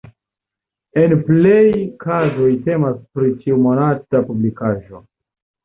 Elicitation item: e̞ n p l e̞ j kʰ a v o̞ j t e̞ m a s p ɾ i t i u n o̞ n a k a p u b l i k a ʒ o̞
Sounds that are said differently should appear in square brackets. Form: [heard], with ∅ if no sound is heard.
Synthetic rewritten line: e̞ n p l e̞ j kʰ a [z] o̞ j t e̞ m a s p ɾ i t i u [m] o̞ n a [t] a p u b l i k a ʒ o̞

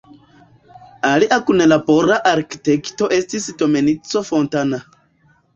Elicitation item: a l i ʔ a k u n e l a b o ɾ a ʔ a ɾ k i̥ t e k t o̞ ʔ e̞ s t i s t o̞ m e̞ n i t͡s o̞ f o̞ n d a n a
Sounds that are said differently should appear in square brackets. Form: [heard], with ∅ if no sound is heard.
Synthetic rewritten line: a l i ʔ a k u n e l a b o ɾ a ʔ a ɾ k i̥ t e k t o̞ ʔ e̞ s t i s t o̞ m e̞ n i t͡s o̞ f o̞ n [t] a n a

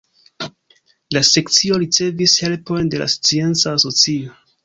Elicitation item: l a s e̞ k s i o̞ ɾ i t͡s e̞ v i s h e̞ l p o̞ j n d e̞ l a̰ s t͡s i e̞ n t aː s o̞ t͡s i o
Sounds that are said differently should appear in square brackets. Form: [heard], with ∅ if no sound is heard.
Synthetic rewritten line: l a s e̞ k [t͡s] i o̞ ɾ i t͡s e̞ v i s h e̞ l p o̞ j n d e̞ l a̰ s t͡s i e̞ n [t͡s] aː s o̞ t͡s i o

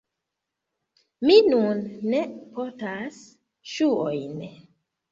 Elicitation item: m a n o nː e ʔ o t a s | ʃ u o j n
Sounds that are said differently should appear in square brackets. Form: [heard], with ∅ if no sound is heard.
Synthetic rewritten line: m [i] n [u] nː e [p] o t a s | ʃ u o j n

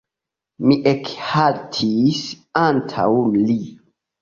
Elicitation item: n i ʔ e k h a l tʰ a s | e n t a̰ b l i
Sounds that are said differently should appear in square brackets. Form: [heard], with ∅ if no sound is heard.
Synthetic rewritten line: [m] i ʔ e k h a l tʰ [i] s | [a] n [tʰ] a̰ [w] l i

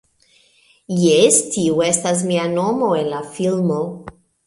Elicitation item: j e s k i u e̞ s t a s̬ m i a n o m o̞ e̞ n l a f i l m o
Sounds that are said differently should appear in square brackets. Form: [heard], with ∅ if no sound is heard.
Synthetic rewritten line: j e s [t] i u e̞ s t a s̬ m i a n o m o̞ e̞ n l a f i l m o

